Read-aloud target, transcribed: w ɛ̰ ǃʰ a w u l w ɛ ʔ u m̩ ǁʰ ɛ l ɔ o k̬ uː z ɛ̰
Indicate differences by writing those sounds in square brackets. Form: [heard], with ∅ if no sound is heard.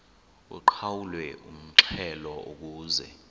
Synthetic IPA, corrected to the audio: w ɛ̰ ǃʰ a w u l w ɛ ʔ u m̩ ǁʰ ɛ l ɔ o k̬ uː z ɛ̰